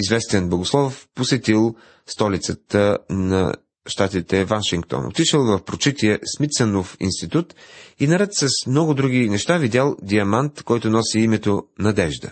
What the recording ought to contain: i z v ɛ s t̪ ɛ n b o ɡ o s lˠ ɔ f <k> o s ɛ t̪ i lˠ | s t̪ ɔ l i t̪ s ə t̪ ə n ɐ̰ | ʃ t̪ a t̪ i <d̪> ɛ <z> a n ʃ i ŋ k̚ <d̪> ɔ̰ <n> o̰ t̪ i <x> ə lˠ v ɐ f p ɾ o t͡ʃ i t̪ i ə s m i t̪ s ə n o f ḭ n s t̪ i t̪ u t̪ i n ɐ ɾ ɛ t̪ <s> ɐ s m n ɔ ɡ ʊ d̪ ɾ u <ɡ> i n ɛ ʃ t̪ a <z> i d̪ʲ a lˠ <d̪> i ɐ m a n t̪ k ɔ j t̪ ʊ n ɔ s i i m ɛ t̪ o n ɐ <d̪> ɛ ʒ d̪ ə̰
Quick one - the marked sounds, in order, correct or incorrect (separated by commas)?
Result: incorrect, incorrect, incorrect, incorrect, correct, incorrect, correct, correct, incorrect, correct, correct